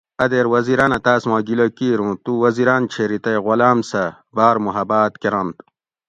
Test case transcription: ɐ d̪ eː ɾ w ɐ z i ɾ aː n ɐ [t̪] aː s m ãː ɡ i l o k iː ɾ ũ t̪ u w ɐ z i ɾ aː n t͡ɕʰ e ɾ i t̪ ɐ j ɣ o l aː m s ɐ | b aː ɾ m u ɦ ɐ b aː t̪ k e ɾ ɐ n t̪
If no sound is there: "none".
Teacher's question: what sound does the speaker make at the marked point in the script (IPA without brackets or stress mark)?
t̪